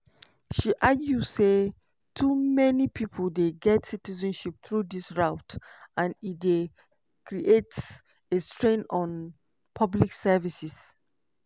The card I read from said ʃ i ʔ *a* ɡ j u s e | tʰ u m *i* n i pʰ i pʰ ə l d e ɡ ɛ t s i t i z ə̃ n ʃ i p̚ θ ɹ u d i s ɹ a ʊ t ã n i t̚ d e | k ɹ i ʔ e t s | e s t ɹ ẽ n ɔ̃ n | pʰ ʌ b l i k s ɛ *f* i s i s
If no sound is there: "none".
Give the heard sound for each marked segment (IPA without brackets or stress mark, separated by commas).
a, ɛ, v